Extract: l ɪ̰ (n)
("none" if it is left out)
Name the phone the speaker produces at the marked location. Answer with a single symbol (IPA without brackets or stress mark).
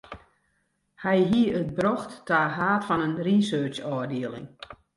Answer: ŋ